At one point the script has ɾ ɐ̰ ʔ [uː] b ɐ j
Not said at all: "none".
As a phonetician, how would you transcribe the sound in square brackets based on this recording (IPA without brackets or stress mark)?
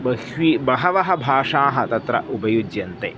u